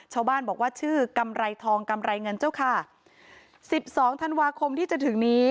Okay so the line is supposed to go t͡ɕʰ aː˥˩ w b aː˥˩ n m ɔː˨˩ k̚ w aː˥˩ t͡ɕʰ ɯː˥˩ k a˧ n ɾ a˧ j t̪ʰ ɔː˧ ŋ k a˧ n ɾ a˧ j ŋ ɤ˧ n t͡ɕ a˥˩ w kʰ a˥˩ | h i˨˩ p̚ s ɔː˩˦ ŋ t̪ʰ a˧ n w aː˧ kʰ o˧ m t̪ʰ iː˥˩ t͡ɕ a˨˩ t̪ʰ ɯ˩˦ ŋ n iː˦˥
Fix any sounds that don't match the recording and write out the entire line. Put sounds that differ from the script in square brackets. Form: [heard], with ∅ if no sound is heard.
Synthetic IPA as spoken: t͡ɕʰ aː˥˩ w b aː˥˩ n [b] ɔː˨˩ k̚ w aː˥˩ t͡ɕʰ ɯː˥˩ k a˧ [m] ɾ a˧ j t̪ʰ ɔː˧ ŋ k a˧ [m] ɾ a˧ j ŋ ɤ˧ n t͡ɕ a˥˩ w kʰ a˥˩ | [s] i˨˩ p̚ s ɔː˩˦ ŋ t̪ʰ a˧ n w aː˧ kʰ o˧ m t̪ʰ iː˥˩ t͡ɕ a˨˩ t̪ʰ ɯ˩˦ ŋ n iː˦˥